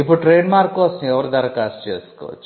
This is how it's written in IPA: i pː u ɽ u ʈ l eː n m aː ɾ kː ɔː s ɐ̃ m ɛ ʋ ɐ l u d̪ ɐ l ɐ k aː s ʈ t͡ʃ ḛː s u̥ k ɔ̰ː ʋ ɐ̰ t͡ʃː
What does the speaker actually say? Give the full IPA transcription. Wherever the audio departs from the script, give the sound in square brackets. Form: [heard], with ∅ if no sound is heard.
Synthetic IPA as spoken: i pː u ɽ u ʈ [ɾ] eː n m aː ɾ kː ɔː s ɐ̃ m ɛ ʋ ɐ [ɾ] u d̪ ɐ [ɾ] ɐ k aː s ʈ t͡ʃ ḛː s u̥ k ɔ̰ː ʋ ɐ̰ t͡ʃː